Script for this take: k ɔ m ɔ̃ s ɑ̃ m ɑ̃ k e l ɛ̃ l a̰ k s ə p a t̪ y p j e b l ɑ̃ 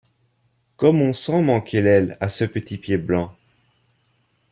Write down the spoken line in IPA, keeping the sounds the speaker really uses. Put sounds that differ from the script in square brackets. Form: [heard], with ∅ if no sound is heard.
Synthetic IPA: k ɔ m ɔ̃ s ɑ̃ m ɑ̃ k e l [ɛ] l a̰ [∅] s ə p [ə] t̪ [i] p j e b l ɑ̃